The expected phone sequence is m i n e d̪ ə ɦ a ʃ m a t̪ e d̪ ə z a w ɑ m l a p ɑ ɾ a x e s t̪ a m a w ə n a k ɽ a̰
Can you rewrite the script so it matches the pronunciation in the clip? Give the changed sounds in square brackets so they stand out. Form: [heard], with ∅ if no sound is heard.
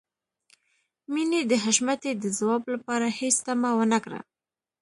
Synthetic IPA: m i n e d̪ ə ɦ a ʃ m a t̪ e d̪ ə z a w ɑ [b] l a p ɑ ɾ a [h] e s t̪ a m a w ə n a k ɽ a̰

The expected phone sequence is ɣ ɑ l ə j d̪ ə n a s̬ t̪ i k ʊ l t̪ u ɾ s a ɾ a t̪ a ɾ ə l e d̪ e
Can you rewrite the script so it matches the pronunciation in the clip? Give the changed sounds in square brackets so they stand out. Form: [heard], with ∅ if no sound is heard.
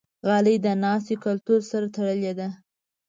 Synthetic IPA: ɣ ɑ l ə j d̪ ə n [ɑ] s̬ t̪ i k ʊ l t̪ u ɾ s a ɾ a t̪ a [ɽ] ə l e d̪ [a]

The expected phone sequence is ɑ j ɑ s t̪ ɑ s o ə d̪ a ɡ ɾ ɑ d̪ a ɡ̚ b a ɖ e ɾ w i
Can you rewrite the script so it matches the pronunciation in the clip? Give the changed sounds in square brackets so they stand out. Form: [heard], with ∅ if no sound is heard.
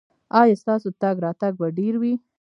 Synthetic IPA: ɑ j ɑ s t̪ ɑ s o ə [t̪] a ɡ ɾ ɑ [t̪] a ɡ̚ b a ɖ e ɾ w i

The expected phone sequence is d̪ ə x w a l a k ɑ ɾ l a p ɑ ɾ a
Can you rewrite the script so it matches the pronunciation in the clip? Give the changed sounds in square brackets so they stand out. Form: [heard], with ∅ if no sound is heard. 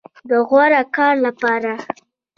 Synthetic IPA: d̪ ə [ɣ] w a [ɾ] a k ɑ ɾ l a p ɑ ɾ a

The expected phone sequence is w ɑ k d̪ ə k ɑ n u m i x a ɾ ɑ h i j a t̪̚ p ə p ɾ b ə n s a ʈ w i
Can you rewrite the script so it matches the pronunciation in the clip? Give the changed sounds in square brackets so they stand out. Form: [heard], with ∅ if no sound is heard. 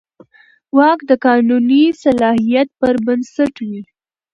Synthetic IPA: w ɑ k d̪ ə k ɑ n u [n] i [s] a [l] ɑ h i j a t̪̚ p ə [∅] ɾ b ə n s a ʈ w i

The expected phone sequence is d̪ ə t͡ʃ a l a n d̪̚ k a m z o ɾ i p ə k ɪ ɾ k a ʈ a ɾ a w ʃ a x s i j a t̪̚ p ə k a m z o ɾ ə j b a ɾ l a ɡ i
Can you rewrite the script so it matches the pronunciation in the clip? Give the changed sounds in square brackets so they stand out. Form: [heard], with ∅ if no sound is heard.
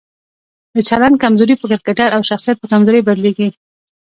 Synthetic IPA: d̪ ə t͡ʃ a l a n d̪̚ k a m z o ɾ i p ə k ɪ ɾ k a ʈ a ɾ a w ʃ a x s i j a t̪̚ p ə k a m z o ɾ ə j b a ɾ l [e] ɡ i

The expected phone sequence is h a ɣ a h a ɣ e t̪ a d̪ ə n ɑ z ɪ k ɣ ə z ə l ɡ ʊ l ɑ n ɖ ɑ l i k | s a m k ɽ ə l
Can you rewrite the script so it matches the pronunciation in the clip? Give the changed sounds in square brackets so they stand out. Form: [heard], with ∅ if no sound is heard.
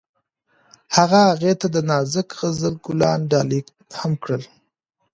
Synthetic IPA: h a ɣ a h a ɣ e t̪ a d̪ ə n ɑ z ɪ k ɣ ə z ə l ɡ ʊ l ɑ n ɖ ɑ l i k | [h] a m k ɽ ə l

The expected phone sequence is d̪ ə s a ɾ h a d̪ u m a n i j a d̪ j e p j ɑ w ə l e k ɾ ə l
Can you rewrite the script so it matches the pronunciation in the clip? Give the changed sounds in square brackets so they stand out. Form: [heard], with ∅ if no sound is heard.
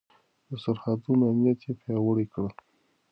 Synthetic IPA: d̪ ə s a ɾ h a d̪ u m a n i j a [t̪] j e p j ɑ w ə [ɽ] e k [ɽ] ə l

